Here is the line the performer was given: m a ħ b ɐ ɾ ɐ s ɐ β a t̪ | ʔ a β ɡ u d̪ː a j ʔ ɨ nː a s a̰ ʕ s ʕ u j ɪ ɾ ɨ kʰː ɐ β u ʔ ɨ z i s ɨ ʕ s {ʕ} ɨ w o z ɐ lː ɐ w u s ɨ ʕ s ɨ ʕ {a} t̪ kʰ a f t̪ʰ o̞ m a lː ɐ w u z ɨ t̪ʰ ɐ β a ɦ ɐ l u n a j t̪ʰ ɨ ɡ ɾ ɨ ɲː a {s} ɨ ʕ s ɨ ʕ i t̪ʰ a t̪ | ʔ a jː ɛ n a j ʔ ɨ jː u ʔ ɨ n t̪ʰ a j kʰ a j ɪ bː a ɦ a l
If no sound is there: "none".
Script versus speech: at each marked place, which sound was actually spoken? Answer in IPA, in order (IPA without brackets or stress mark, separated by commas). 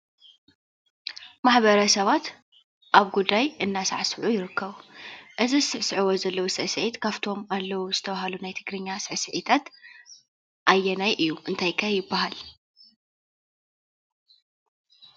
ʕ, i, s